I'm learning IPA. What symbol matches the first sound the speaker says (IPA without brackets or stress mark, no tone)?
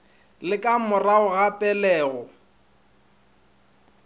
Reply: l